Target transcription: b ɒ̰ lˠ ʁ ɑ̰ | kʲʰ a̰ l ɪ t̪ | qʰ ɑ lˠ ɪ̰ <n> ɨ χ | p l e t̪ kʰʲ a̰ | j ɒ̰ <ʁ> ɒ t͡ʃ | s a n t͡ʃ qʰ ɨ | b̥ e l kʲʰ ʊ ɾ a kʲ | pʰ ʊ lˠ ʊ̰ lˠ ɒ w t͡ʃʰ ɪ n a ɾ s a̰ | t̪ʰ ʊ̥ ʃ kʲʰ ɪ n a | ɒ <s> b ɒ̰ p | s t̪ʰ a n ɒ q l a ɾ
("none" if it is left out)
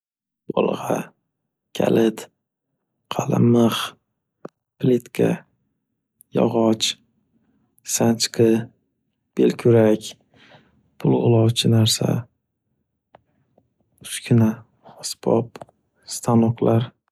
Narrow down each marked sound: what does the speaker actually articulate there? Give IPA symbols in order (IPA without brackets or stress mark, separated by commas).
m, ʁ, s